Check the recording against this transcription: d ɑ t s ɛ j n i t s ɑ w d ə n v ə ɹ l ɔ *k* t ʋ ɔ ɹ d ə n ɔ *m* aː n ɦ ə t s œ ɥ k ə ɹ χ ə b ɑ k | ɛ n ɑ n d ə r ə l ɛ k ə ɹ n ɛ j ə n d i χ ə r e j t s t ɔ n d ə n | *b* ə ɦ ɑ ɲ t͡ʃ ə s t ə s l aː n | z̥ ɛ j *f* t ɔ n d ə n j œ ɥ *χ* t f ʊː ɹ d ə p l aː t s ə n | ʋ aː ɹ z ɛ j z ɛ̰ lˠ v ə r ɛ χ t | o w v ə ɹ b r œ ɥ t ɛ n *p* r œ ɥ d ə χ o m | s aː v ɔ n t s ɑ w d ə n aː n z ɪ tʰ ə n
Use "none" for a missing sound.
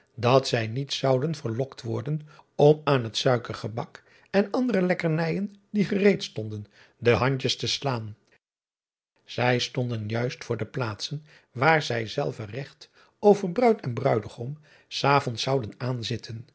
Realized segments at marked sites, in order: k, m, d, s, s, b

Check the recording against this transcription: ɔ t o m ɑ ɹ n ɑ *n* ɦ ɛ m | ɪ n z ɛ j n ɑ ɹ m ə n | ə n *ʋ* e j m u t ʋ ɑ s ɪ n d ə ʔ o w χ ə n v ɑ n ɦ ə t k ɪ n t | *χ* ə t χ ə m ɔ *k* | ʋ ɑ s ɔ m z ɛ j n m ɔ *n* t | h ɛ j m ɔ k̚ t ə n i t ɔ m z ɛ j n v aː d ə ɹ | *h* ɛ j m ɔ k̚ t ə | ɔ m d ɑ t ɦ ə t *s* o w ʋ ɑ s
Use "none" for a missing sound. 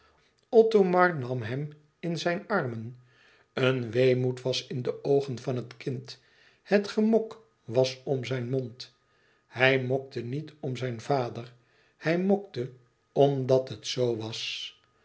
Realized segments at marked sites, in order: m, ʋ, h, k, n, h, s

